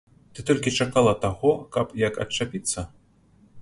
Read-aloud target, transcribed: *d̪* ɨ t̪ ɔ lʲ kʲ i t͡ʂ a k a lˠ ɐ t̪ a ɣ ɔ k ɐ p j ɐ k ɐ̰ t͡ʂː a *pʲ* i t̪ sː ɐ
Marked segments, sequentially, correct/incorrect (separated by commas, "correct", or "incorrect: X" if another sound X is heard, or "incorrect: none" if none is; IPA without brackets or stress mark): incorrect: t̪, correct